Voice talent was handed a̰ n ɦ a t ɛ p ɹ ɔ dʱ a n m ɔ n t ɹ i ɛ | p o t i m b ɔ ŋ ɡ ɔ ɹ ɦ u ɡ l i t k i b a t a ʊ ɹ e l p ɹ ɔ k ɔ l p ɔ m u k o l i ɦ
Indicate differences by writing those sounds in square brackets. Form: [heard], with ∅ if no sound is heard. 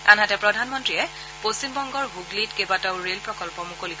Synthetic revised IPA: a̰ n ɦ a t ɛ p ɹ ɔ dʱ a n m ɔ n t ɹ i ɛ | p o [s] i m b ɔ ŋ ɡ ɔ ɹ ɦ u ɡ l i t k [e] b a t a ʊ ɹ e l p ɹ ɔ k ɔ l p ɔ m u k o l i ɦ